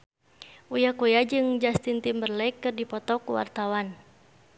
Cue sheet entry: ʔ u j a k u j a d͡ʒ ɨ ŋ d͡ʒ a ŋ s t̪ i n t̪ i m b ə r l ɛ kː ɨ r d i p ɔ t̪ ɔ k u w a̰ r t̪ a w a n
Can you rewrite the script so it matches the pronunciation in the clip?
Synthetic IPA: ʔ u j a k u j a d͡ʒ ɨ ŋ d͡ʒ a s t̪ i n t̪ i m b ə r l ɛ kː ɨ r d i p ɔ t̪ ɔ k u w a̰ r t̪ a w a n